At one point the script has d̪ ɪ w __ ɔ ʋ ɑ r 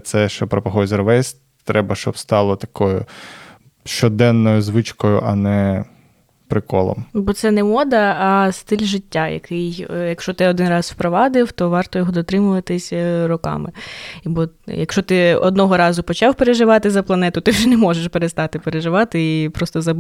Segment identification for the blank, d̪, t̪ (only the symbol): t̪